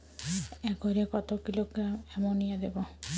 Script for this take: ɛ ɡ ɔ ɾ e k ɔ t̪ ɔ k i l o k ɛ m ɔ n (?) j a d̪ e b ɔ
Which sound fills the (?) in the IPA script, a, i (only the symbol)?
i